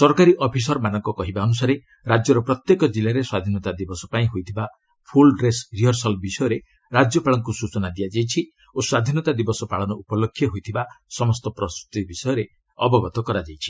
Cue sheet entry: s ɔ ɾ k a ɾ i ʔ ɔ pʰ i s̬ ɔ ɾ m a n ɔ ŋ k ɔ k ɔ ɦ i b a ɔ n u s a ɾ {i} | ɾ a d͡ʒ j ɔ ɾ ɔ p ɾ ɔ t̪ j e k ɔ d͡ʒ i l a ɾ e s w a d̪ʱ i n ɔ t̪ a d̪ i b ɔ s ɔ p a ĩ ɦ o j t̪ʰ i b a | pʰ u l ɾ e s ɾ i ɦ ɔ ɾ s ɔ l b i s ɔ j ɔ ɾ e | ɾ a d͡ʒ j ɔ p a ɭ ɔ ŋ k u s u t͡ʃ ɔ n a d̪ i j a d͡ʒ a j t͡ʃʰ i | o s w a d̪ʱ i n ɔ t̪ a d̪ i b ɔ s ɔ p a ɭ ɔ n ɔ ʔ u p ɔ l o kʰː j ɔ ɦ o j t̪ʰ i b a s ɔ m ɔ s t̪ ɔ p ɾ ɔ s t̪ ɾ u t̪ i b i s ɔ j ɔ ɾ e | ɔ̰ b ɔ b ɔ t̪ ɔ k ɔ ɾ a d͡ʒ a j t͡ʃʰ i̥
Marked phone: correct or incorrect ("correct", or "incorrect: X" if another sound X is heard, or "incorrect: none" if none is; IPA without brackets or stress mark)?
incorrect: e